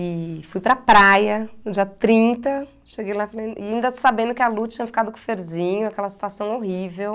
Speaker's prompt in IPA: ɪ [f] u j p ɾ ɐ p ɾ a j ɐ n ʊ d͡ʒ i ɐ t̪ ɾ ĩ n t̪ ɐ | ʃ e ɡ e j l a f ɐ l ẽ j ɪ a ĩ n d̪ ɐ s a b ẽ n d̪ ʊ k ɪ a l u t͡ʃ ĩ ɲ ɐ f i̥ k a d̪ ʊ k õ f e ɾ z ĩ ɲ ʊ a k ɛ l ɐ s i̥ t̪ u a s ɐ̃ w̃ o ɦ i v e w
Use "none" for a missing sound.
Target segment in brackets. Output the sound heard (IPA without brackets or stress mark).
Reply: f